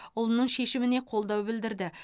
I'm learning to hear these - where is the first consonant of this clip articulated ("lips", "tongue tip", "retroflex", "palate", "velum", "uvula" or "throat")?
tongue tip